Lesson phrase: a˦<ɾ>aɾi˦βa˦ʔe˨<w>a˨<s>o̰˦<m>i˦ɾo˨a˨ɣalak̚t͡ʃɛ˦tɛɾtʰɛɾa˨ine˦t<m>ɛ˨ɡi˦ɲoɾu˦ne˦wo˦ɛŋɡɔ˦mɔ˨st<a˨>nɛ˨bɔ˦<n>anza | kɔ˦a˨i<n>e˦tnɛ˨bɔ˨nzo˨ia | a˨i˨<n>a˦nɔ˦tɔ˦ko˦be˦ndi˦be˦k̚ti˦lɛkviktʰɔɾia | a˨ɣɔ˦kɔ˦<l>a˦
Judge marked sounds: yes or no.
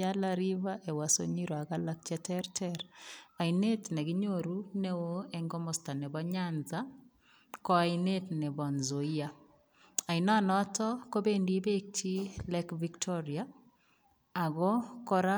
no, yes, yes, no, no, yes, no, yes, yes, no

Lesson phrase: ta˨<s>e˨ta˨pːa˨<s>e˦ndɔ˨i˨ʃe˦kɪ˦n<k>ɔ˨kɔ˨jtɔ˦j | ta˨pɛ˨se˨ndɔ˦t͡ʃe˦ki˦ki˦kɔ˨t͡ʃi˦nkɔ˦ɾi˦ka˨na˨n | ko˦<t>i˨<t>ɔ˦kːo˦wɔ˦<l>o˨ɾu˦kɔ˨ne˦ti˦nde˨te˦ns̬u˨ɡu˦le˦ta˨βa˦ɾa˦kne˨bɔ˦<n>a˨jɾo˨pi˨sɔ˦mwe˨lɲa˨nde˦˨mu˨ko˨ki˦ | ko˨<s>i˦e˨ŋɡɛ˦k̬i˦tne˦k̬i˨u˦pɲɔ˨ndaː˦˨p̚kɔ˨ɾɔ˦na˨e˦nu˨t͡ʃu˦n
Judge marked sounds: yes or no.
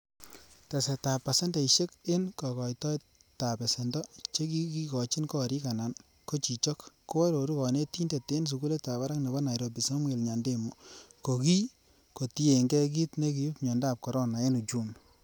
yes, yes, yes, no, no, no, yes, no

